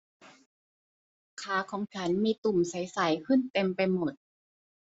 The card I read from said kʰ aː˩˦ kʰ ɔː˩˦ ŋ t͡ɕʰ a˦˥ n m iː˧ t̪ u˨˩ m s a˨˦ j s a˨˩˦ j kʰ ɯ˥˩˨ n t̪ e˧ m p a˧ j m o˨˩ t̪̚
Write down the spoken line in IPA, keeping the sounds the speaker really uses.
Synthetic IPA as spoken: kʰ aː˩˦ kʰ ɔː˩˦ ŋ t͡ɕʰ a˦˥ n m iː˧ t̪ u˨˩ m s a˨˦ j s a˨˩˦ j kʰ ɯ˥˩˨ n t̪ e˧ m p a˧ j m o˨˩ t̪̚